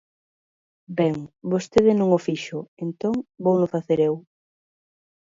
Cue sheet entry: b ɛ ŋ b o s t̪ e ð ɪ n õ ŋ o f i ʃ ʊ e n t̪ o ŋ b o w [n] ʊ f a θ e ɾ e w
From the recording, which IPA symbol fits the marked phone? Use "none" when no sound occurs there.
n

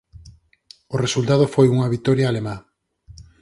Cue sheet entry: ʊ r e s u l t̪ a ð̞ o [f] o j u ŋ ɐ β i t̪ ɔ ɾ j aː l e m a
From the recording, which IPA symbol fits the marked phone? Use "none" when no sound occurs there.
f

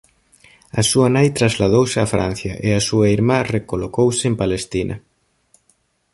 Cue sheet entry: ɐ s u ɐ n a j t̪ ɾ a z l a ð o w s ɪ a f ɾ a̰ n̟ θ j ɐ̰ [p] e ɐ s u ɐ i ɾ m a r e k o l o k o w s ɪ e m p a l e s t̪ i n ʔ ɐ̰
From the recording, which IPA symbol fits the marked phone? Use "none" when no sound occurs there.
ʔ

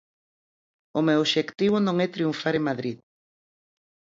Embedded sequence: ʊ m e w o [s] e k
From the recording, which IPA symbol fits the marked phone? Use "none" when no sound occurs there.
ʃ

